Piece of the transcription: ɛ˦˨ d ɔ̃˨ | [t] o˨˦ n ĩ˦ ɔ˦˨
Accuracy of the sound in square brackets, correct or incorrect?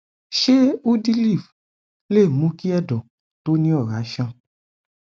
correct